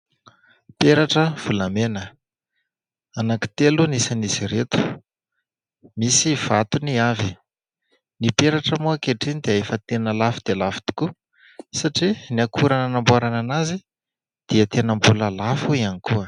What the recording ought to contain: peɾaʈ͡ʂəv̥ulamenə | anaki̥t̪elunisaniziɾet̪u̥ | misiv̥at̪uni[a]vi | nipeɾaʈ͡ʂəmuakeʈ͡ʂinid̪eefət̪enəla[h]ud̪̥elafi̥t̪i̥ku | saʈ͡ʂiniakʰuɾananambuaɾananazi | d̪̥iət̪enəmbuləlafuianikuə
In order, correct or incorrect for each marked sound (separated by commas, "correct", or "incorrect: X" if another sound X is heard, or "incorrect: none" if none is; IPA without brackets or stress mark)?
correct, incorrect: f